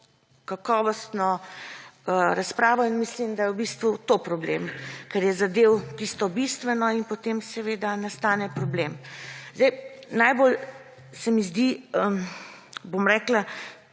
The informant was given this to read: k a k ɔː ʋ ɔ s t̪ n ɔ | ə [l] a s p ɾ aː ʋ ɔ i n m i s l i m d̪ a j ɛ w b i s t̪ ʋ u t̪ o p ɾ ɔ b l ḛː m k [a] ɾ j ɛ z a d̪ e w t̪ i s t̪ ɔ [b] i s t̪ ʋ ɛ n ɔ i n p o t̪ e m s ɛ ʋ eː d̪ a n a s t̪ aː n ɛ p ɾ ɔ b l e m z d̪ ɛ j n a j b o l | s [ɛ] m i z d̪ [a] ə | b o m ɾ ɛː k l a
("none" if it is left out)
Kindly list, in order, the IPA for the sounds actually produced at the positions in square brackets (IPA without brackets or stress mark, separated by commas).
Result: ɾ, ɛ, b, ɛ, i